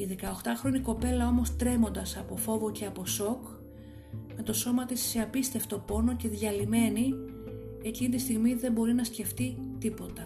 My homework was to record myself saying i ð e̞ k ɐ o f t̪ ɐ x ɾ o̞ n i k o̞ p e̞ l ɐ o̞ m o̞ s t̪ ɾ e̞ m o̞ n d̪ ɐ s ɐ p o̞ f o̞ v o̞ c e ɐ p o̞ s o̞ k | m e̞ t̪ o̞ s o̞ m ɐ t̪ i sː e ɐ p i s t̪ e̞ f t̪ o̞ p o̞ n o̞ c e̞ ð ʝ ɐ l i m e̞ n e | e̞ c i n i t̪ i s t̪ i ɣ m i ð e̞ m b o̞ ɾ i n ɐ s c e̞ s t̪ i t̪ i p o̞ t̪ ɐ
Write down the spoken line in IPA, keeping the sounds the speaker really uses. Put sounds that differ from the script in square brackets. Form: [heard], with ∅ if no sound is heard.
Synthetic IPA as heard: i ð e̞ k ɐ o [x] t̪ ɐ x ɾ o̞ n i k o̞ p e̞ l ɐ o̞ m o̞ s t̪ ɾ e̞ m o̞ n d̪ ɐ s ɐ p o̞ f o̞ v o̞ c e ɐ p o̞ s o̞ k | m e̞ t̪ o̞ s o̞ m ɐ t̪ i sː e ɐ p i s t̪ e̞ f t̪ o̞ p o̞ n o̞ c e̞ ð ʝ ɐ l i m e̞ n [i] | e̞ c i n i t̪ i s t̪ i ɣ m i ð e̞ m b o̞ ɾ i n ɐ s c e̞ [f] t̪ i t̪ i p o̞ t̪ ɐ